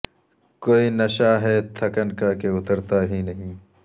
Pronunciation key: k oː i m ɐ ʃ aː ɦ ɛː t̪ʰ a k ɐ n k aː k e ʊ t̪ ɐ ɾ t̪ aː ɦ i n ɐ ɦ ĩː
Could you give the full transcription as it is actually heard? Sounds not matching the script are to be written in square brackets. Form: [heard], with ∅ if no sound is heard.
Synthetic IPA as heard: k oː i [n] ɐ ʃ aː ɦ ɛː t̪ʰ [ɐ] k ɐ n k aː k e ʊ t̪ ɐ ɾ t̪ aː ɦ i n ɐ ɦ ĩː